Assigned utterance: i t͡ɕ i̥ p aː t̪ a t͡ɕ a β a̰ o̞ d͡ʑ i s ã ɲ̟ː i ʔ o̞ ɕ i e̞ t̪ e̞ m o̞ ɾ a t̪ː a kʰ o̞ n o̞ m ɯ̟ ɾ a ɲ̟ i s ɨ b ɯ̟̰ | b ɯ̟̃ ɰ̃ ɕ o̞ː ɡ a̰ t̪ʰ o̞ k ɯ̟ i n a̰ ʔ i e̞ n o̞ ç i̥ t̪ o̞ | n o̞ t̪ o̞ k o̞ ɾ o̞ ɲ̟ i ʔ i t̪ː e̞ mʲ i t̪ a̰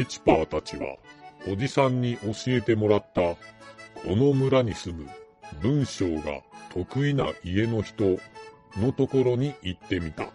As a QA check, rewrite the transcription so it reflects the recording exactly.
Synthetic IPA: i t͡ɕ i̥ p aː t̪ a t͡ɕ i β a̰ o̞ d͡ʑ i s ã ɲ̟ː i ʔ o̞ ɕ i e̞ t̪ e̞ m o̞ ɾ a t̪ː a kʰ o̞ n o̞ m ɯ̟ ɾ a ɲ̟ i s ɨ m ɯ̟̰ | b ɯ̟̃ ɰ̃ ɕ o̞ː ɡ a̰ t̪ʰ o̞ k ɯ̟ i n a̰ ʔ i e̞ n o̞ ç i̥ t̪ o̞ | n o̞ t̪ o̞ k o̞ ɾ o̞ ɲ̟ i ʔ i t̪ː e̞ mʲ i t̪ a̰